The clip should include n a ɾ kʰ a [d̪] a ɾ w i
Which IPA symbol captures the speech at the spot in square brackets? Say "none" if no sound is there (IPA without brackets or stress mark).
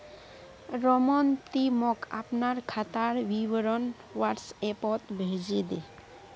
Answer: t̪